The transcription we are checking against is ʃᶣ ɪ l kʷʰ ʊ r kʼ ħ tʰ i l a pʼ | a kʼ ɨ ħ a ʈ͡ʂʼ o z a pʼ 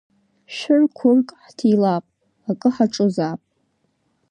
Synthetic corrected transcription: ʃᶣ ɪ r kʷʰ ʊ r kʼ ħ tʰ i l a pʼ | a kʼ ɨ ħ a ʈ͡ʂʼ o z a pʼ